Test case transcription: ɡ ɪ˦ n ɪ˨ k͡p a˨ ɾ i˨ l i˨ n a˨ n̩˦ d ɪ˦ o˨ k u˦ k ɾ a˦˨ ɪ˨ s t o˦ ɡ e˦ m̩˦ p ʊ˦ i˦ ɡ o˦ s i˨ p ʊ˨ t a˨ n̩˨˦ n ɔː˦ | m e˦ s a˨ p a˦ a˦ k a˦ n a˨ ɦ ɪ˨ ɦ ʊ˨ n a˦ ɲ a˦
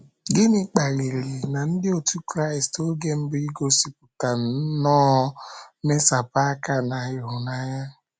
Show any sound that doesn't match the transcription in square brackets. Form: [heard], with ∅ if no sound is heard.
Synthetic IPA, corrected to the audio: ɡ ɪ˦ n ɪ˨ k͡p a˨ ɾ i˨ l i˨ n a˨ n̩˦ d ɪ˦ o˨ [t] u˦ k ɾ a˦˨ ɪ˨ s t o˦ ɡ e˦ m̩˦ [b] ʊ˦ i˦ ɡ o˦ s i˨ p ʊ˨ t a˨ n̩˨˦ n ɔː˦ | m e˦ s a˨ p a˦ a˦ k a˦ n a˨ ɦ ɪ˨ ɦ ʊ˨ n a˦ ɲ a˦

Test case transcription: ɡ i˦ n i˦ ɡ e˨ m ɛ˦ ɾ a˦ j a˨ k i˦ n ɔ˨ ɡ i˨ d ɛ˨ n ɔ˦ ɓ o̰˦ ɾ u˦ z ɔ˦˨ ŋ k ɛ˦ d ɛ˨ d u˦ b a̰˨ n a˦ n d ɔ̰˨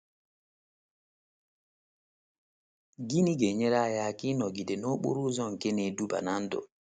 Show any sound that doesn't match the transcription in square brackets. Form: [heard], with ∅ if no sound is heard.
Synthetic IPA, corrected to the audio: ɡ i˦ n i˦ ɡ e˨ [ɲ] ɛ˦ ɾ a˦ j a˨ k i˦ n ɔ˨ ɡ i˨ d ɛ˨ n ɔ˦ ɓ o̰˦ ɾ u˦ z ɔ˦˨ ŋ k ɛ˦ [n] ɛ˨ d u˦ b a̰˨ n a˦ n d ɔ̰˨

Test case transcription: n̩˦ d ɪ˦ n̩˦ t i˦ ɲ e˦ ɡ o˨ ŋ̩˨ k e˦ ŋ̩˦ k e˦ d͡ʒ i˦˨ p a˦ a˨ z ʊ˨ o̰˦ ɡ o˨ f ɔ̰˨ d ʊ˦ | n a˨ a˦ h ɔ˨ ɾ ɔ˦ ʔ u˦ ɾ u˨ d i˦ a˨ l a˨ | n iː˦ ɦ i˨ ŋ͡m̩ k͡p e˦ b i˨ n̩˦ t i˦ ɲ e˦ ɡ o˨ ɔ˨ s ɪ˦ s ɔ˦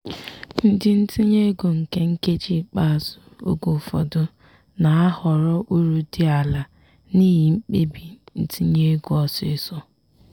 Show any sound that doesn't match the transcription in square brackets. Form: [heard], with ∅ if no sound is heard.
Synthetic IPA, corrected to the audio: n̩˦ d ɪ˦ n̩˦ t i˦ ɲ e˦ ɡ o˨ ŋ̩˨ k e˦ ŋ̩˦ k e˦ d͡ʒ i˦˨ [k͡p] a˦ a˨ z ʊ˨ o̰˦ ɡ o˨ f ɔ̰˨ d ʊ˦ | n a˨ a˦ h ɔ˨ ɾ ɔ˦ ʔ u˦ ɾ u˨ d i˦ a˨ l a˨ | n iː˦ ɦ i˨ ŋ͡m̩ k͡p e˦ b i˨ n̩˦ t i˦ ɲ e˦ ɡ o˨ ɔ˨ s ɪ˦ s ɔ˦

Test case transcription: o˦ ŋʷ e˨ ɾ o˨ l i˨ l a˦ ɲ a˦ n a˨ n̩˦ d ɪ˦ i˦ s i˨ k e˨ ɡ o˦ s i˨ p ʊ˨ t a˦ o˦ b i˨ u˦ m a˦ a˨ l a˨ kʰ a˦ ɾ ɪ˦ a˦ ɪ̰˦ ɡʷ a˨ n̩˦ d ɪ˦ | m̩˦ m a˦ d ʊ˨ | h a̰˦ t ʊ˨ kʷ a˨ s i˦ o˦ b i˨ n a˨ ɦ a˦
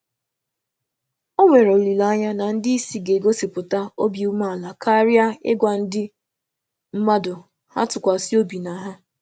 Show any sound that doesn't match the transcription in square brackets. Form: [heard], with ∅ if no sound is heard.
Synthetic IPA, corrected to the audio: o˦ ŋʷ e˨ ɾ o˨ l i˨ l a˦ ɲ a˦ n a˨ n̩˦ d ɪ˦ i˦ s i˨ [ɡ] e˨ ɡ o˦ s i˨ p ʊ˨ t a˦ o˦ b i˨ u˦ m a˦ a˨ l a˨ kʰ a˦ ɾ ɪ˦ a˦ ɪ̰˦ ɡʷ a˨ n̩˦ d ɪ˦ | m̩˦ m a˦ d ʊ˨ | h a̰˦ t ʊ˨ kʷ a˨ s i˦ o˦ b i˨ n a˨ ɦ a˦

